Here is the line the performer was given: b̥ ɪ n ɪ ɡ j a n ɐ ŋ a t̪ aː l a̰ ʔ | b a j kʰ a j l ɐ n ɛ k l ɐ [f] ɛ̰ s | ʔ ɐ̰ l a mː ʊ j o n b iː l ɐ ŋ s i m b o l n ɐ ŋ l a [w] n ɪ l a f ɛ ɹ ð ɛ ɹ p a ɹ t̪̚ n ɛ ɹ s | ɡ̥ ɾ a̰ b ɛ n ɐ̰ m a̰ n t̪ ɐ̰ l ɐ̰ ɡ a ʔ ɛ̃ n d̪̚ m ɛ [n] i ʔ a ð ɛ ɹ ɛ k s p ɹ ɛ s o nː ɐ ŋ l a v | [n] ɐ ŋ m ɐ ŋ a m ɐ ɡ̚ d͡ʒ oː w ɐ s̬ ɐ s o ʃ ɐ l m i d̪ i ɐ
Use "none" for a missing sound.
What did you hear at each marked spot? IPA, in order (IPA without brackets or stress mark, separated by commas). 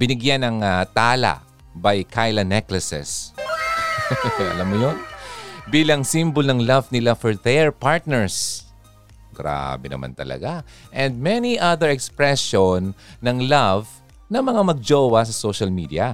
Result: s, v, n, n